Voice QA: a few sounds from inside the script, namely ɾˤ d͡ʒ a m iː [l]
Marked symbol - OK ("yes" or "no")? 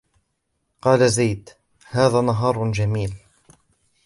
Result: yes